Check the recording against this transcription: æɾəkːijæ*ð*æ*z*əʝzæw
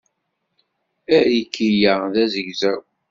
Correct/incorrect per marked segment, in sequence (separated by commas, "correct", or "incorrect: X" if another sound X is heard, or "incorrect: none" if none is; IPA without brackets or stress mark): correct, correct